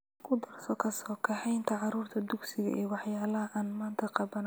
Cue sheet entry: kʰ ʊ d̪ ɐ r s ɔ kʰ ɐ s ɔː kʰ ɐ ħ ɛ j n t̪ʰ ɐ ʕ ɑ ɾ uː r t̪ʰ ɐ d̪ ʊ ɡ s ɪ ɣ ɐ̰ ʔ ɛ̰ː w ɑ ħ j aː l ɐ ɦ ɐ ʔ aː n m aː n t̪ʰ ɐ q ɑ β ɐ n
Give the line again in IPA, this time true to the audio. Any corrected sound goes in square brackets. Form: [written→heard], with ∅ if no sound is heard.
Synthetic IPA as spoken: kʰ ʊ d̪ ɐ r s ɔ kʰ ɐ s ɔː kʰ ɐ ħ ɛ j n t̪ʰ ɐ ʕ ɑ ɾ uː r t̪ʰ ɐ d̪ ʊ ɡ s ɪ ɣ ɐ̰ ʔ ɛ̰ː w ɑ ħ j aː l ɐ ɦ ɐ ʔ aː n m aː n t̪ʰ ɐ q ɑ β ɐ n